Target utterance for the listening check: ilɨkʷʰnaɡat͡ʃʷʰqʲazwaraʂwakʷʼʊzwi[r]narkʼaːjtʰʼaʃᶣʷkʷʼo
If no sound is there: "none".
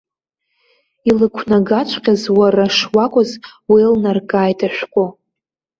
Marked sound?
l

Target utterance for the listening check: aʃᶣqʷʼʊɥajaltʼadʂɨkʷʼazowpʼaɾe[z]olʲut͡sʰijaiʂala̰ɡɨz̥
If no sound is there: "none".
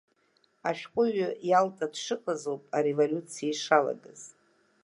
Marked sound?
v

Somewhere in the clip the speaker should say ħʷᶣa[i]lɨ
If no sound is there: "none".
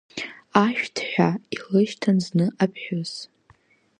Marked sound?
i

